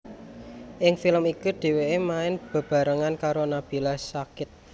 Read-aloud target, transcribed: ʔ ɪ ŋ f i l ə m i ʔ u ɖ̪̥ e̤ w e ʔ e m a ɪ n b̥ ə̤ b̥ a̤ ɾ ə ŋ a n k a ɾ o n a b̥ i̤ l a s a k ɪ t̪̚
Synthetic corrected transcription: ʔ ɪ ŋ f i l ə m i k u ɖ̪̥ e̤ w e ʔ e m a ɪ n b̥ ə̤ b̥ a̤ ɾ ə ŋ a n k a ɾ o n a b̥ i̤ l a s a k ɪ t̪̚